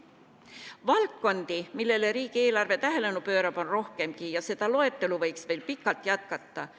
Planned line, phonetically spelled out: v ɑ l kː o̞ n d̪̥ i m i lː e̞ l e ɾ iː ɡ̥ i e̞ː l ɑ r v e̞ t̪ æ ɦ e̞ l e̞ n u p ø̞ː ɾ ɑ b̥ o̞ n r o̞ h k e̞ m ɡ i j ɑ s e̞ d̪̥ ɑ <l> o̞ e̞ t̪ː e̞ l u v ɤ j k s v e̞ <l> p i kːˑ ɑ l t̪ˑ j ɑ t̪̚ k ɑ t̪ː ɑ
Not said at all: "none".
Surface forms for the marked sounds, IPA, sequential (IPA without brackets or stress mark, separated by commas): l, l